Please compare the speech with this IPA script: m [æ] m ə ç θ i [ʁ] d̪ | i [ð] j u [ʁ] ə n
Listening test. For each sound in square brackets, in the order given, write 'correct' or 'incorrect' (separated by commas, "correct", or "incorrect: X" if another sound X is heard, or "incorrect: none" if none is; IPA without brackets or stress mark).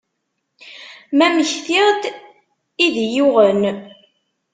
correct, correct, correct, correct